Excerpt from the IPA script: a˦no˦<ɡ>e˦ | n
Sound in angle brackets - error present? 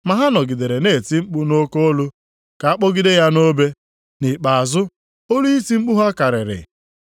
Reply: yes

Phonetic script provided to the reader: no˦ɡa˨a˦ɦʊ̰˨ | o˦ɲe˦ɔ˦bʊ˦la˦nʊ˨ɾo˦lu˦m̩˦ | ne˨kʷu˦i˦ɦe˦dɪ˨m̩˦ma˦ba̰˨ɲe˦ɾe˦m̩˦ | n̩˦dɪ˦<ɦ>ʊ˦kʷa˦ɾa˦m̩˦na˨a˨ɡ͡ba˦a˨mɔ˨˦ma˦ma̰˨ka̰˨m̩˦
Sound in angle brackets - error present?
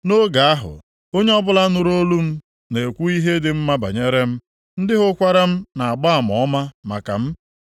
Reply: no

